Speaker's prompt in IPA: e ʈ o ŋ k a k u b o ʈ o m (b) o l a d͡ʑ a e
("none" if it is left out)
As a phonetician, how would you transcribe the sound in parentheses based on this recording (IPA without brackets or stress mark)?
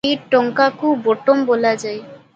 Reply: b